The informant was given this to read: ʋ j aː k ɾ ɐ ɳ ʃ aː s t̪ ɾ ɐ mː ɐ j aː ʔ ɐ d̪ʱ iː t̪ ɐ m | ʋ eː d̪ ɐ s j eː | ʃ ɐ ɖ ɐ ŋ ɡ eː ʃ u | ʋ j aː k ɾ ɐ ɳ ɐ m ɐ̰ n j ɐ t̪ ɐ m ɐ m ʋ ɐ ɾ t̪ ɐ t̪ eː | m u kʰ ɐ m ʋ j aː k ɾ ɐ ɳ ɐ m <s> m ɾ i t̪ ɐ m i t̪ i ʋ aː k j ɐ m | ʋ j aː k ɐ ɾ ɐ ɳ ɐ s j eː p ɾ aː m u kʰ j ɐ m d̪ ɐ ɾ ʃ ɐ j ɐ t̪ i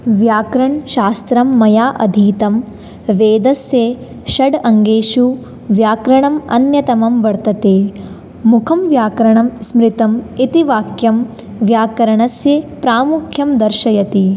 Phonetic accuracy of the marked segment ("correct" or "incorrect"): correct